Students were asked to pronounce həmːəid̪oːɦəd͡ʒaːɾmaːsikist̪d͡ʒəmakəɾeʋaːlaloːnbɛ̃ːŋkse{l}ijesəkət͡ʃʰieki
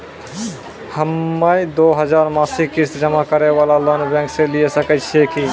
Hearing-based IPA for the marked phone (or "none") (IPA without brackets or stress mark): l